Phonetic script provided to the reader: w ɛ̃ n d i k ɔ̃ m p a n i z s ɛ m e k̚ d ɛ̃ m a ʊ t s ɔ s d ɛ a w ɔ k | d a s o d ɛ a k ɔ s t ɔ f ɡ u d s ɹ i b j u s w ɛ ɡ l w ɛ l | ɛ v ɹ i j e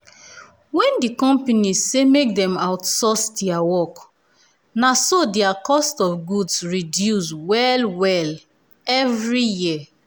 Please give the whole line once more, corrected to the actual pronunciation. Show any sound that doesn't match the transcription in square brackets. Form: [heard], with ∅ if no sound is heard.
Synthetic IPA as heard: w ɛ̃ n d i k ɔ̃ m p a n i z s [e] m e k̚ d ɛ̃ m a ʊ t s ɔ s d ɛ a w ɔ k | [n] a s o d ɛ a k ɔ s t ɔ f ɡ u d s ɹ i [d] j u s w ɛ [∅] l w ɛ l | ɛ v ɹ i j [i]